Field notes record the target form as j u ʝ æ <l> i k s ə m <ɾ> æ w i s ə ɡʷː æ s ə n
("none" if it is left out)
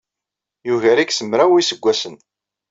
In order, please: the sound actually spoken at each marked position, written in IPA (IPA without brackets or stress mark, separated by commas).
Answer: ɾ, ɾ